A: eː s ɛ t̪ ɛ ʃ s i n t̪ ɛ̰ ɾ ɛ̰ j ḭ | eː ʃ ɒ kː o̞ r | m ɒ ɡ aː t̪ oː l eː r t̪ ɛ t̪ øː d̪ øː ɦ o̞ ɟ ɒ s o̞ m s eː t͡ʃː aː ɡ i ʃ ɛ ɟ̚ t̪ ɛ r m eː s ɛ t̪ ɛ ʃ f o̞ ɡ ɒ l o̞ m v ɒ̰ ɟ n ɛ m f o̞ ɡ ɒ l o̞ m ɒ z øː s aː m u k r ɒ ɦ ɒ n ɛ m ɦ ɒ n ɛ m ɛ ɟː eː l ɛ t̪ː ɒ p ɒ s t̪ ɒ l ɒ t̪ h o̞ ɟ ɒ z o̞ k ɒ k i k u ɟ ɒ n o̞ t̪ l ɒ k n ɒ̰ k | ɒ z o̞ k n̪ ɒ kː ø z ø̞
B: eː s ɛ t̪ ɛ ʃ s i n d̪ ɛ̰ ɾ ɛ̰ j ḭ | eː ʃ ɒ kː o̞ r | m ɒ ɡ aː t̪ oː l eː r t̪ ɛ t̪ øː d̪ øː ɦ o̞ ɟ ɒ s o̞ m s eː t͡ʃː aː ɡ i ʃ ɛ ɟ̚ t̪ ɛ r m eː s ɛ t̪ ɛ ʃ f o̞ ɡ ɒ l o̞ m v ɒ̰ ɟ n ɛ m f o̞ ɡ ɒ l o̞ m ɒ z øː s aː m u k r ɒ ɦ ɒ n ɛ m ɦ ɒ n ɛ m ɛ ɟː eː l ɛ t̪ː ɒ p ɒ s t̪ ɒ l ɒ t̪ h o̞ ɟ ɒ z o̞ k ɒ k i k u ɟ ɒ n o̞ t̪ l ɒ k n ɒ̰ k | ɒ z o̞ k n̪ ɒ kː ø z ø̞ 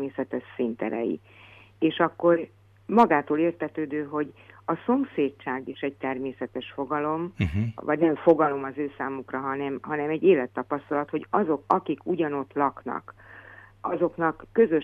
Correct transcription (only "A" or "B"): A